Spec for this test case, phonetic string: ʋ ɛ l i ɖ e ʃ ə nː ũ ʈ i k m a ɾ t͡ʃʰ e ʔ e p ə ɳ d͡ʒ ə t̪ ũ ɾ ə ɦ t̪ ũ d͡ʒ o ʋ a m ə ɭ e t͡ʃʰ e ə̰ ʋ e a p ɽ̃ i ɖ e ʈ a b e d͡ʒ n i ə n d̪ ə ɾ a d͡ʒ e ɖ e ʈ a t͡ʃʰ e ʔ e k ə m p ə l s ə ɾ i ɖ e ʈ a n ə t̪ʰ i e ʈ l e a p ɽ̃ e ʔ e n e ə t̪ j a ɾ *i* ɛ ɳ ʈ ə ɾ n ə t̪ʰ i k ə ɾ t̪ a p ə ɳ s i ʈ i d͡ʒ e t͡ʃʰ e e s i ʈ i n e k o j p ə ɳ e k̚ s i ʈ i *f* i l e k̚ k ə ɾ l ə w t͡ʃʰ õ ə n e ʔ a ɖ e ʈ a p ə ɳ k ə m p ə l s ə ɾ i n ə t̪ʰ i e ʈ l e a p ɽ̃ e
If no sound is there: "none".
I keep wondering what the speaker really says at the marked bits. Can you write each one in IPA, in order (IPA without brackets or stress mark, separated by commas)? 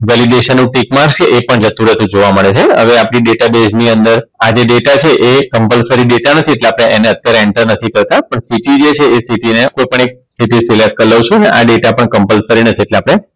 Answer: e, s